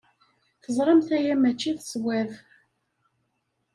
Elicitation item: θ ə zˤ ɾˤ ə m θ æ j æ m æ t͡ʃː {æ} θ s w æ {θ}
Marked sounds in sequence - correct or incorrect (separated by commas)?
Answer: incorrect, incorrect